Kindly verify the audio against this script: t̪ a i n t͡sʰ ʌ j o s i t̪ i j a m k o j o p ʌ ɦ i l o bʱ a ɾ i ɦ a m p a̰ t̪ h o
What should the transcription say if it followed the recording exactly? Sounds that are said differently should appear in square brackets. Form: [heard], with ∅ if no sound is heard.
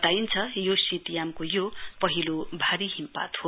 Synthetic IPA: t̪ a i n t͡sʰ ʌ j o s i t̪ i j a m k o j o p ʌ ɦ i l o bʱ a ɾ i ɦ [i] m p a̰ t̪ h o